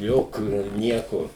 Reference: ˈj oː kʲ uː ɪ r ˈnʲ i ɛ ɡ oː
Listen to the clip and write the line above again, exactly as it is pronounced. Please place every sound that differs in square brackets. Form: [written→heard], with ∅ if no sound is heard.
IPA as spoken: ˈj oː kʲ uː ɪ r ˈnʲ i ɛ [ɡ→k] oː